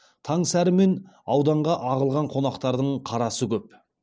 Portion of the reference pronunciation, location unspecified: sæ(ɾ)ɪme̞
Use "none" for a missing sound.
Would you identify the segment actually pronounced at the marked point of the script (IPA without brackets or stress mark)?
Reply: ɾ